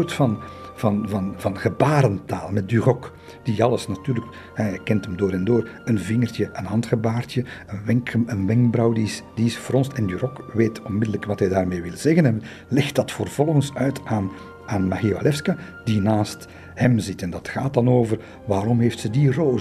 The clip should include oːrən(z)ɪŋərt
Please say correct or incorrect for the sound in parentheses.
incorrect